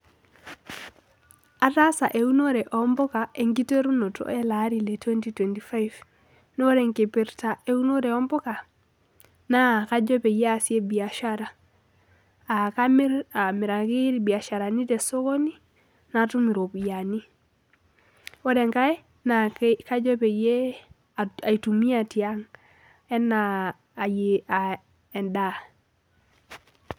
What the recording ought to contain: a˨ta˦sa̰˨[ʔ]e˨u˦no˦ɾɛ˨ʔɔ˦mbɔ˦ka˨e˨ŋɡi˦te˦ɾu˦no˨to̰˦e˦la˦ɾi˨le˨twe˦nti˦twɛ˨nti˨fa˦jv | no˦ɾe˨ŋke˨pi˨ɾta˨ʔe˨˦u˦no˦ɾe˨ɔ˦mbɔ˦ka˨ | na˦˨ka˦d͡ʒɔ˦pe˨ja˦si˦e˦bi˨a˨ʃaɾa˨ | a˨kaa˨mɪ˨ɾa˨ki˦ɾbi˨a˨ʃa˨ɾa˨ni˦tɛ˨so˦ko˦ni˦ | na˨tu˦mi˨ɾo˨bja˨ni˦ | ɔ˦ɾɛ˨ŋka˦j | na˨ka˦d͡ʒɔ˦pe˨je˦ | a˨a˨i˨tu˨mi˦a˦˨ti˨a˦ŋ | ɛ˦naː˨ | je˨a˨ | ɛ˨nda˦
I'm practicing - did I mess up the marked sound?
no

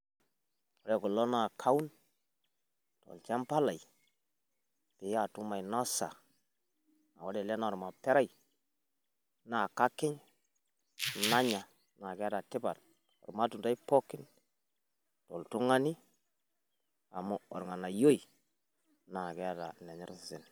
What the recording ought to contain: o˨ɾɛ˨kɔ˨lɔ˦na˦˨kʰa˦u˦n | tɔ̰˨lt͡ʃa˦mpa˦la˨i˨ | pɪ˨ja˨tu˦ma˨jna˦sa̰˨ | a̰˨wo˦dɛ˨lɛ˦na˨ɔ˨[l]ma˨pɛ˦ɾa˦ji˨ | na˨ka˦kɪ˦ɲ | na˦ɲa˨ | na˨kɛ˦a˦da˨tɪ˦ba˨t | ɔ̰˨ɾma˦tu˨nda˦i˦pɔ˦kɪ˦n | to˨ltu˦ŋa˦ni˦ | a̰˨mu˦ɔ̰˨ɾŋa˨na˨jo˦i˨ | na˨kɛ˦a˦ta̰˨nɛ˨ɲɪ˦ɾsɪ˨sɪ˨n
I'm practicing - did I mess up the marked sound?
yes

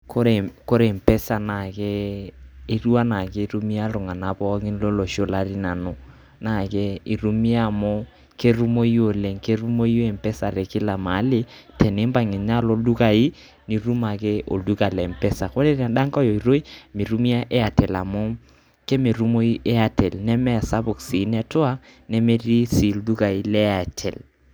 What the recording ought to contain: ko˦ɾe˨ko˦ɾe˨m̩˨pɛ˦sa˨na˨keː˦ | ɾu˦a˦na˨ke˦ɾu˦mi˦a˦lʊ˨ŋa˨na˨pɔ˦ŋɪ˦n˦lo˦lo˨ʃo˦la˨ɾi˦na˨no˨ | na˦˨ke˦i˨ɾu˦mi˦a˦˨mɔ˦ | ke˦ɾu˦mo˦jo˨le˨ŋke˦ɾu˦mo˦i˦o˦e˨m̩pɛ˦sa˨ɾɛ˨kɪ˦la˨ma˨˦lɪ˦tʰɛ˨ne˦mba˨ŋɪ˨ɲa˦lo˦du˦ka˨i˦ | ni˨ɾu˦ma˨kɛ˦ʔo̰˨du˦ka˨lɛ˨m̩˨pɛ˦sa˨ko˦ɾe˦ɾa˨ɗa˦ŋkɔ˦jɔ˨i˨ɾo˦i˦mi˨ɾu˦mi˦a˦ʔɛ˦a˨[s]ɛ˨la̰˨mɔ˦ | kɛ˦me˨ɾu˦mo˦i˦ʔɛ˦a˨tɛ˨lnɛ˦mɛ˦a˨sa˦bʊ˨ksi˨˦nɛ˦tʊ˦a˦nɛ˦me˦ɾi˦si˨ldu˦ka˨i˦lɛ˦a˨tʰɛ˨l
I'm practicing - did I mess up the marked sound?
yes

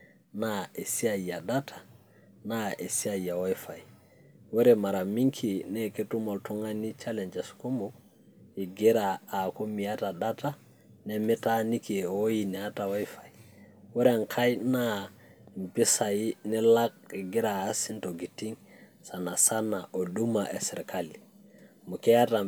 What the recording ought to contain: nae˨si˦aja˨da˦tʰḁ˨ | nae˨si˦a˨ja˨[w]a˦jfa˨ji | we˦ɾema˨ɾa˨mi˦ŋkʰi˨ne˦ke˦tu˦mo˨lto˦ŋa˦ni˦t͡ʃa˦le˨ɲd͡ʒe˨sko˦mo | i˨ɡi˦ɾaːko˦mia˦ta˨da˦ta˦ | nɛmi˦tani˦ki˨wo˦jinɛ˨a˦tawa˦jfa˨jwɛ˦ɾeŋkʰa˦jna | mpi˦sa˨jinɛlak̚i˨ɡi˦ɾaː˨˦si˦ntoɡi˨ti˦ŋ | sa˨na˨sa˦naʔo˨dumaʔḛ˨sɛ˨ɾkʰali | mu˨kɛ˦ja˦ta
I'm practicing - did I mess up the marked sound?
no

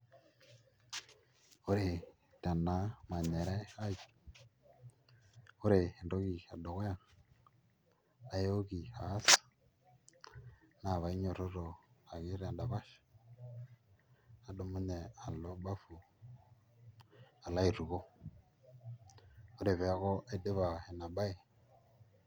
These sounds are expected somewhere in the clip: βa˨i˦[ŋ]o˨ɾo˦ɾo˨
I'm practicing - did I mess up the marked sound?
yes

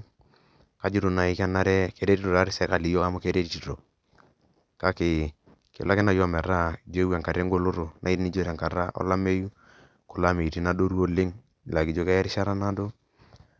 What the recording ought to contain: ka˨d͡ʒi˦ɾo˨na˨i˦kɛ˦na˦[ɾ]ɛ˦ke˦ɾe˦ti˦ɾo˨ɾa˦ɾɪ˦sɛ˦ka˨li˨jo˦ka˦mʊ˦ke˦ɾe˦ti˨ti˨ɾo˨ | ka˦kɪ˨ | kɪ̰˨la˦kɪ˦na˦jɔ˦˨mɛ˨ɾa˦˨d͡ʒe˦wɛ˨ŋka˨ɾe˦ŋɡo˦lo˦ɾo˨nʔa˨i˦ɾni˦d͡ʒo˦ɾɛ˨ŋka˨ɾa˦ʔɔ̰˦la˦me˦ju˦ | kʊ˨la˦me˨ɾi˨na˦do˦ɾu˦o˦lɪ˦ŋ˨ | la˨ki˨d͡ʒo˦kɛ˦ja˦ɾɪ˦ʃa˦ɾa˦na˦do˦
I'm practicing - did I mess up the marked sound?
no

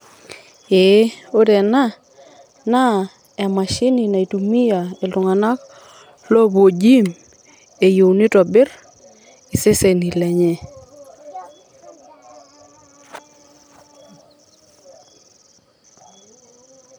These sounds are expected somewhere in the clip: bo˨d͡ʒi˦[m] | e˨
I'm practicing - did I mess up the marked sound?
no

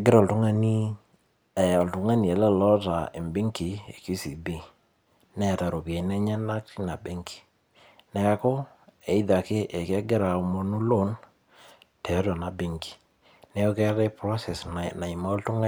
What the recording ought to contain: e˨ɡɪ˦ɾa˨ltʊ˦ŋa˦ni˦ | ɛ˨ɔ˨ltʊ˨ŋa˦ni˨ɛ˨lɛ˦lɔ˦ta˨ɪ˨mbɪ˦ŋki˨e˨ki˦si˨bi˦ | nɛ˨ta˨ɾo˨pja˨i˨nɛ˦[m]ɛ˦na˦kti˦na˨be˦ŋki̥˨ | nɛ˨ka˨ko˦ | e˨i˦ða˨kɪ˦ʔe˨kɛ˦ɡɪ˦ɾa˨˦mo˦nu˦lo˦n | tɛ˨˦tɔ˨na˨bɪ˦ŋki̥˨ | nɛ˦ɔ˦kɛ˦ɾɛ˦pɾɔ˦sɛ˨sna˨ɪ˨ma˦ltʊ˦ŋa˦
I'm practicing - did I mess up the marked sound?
yes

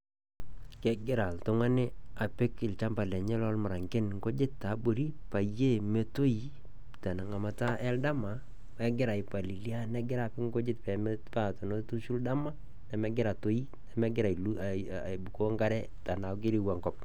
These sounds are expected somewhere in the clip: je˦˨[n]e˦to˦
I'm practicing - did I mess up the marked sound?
yes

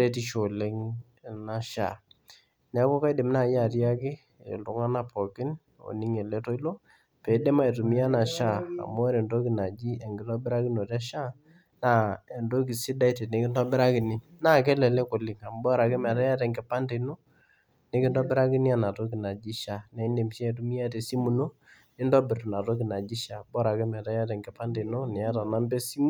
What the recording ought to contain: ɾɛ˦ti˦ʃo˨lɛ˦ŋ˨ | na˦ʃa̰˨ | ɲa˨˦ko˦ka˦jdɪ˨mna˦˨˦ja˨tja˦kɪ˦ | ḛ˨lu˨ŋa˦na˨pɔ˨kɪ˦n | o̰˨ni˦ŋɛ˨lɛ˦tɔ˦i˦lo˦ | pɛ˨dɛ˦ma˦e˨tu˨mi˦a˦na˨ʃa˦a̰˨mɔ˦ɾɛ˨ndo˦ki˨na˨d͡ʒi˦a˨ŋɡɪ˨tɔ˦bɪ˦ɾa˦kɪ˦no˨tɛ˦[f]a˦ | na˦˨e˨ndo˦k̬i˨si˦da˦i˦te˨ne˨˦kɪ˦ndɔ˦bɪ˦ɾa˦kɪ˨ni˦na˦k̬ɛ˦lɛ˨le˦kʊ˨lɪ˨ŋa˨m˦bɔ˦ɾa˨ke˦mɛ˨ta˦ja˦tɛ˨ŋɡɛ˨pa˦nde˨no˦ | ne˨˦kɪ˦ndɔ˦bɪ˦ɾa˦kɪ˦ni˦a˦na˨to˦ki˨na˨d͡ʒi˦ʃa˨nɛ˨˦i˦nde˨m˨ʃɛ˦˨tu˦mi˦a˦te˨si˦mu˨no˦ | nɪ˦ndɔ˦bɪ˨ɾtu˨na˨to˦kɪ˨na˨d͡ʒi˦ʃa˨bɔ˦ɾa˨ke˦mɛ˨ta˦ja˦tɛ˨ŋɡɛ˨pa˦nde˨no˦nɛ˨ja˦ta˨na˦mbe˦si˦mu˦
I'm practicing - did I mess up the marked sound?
yes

